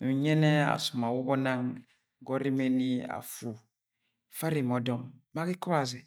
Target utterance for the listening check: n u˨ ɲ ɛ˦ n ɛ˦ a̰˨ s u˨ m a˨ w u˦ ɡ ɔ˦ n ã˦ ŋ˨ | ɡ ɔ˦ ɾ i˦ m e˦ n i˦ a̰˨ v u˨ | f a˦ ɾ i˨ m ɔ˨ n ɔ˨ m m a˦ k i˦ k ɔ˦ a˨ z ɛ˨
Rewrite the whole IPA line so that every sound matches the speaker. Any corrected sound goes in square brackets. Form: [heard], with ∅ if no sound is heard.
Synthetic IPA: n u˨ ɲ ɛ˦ n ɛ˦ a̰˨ s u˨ m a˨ w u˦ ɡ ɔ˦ n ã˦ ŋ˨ | ɡ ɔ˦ ɾ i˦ m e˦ n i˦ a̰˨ [f] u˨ | f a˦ ɾ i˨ m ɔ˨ [d] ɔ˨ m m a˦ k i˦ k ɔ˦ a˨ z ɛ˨